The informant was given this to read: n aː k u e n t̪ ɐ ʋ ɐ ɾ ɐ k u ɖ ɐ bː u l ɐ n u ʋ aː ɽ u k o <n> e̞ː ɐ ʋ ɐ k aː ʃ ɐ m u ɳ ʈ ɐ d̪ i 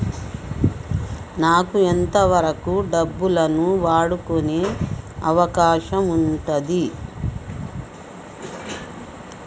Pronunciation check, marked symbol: correct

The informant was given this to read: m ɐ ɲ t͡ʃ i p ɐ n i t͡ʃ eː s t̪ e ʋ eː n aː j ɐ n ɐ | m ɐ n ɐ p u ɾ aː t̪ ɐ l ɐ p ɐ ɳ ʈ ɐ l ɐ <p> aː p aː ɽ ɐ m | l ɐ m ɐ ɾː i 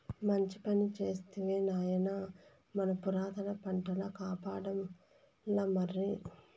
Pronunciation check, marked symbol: incorrect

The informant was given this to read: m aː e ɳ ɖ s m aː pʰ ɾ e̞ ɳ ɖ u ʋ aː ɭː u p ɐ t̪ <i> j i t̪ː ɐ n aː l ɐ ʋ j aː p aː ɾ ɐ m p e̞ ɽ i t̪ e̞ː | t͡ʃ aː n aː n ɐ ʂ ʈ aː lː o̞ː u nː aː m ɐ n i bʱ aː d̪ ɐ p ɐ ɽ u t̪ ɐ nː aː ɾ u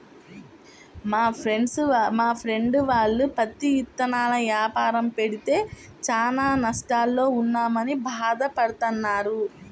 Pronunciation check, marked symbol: correct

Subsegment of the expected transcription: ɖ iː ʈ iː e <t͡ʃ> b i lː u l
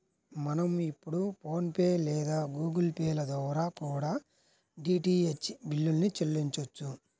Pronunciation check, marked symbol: correct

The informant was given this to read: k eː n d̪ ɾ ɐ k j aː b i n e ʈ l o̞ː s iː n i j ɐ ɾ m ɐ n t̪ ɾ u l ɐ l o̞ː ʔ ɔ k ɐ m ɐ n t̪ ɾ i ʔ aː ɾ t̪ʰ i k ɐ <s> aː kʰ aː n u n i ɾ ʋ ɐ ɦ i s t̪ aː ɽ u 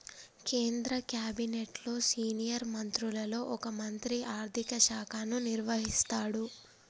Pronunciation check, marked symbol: incorrect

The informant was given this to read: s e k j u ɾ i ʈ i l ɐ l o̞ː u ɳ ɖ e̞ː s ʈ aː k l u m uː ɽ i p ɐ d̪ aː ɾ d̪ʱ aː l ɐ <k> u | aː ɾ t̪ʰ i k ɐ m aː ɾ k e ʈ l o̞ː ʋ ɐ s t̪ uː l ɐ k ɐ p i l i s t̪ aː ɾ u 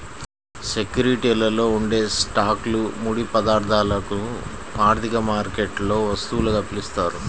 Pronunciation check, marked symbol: correct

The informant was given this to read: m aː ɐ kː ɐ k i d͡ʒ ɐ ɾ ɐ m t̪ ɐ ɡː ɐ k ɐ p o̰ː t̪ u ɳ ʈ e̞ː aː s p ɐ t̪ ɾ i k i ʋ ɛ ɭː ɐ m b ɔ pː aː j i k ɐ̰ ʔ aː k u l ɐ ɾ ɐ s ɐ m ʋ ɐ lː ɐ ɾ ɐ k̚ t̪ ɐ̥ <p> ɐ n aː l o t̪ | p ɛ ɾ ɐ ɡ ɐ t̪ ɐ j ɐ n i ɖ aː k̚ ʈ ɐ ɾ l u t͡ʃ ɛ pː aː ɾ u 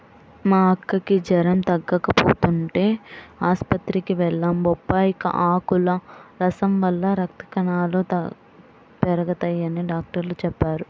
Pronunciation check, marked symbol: incorrect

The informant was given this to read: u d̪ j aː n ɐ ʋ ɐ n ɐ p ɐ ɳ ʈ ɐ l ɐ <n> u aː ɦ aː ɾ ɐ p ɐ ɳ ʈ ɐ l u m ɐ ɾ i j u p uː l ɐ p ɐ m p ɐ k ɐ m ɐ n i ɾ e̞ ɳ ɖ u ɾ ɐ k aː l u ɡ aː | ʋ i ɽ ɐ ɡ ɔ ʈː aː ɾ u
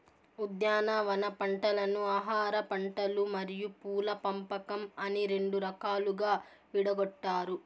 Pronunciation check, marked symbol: correct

